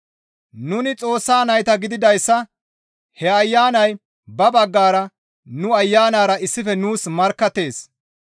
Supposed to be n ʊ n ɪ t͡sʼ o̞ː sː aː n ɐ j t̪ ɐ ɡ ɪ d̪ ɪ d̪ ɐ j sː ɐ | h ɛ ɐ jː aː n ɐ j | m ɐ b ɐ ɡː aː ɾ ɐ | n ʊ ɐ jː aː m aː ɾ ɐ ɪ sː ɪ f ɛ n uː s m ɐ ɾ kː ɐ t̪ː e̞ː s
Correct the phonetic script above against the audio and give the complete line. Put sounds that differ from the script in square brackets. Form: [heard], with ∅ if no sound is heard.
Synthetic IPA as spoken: n ʊ n ɪ t͡sʼ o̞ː sː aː n ɐ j t̪ ɐ ɡ ɪ d̪ ɪ d̪ ɐ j sː ɐ | h ɛ ɐ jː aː n ɐ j | [b] ɐ b ɐ ɡː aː ɾ ɐ | n ʊ ɐ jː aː [n] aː ɾ ɐ ɪ sː ɪ f ɛ n uː s m ɐ ɾ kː ɐ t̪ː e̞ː s